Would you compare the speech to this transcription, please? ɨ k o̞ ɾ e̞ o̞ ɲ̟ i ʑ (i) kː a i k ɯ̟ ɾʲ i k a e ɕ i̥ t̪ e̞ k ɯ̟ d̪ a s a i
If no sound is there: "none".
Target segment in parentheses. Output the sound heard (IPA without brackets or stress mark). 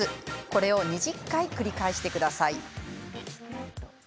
i